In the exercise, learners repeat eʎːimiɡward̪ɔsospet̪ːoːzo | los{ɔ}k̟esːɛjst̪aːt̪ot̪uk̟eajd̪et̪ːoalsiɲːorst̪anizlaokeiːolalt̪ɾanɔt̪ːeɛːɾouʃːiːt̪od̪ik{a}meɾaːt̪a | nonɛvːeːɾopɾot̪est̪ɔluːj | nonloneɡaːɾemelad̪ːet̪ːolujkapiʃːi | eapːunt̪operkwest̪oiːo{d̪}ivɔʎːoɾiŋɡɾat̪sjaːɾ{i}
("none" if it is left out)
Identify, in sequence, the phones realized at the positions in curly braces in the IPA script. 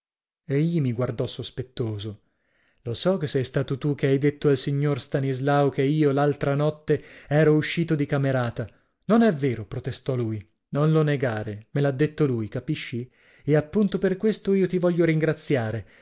ɔ, a, t̪, e

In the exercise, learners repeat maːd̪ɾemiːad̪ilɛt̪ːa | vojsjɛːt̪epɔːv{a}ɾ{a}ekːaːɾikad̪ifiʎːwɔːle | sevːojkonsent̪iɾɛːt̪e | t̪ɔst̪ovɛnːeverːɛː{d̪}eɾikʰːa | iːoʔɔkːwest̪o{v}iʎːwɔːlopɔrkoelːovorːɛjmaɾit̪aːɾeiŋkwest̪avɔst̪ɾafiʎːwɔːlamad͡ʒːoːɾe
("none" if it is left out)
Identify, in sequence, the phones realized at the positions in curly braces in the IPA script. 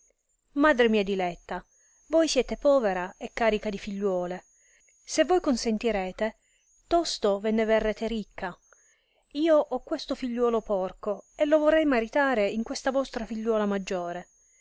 e, a, t̪, f

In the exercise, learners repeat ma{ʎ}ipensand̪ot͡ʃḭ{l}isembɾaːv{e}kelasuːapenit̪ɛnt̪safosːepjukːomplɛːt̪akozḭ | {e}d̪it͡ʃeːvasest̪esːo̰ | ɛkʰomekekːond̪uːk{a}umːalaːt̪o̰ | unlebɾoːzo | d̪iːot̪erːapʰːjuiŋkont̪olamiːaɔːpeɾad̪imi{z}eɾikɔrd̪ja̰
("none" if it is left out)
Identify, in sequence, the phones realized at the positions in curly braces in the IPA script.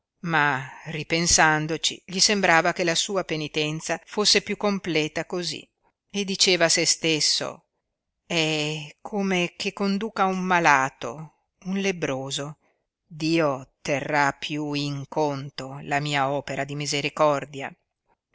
r, ʎ, a, e, a, z

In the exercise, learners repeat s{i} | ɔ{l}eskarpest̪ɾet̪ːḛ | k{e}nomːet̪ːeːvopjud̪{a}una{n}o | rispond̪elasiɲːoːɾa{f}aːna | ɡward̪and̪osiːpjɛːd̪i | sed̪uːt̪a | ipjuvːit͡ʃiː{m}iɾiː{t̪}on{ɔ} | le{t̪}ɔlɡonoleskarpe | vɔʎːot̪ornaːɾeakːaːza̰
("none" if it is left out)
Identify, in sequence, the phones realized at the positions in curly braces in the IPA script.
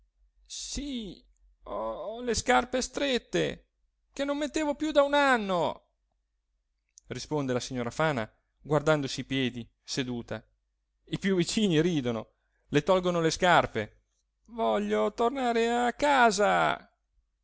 i, l, e, a, nː, f, n, d̪, o, t̪

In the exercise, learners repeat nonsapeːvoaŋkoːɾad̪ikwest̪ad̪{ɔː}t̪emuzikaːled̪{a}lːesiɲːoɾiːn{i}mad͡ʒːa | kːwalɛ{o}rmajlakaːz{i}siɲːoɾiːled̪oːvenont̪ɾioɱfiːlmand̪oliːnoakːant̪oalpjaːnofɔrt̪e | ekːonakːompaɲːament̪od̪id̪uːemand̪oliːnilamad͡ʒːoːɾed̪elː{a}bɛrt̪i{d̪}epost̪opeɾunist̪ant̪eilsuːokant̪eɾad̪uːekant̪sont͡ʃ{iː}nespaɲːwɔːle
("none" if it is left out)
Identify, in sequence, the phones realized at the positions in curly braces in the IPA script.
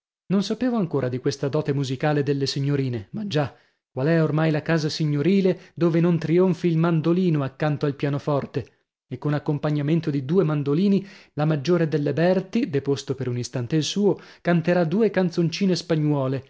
ɔː, e, e, o, a, e, d̪, iː

